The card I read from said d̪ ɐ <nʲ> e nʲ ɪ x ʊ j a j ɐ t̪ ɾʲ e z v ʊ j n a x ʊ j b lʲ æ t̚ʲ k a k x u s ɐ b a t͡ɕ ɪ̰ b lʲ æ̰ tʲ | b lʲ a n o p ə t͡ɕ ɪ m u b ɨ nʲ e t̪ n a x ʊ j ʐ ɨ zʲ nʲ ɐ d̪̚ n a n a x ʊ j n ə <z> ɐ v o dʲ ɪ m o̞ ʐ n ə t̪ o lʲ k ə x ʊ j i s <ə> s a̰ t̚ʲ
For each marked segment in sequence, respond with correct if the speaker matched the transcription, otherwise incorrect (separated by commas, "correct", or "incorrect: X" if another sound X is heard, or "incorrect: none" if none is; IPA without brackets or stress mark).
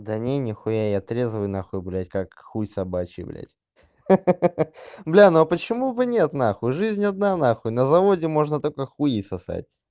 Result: correct, correct, incorrect: ɐ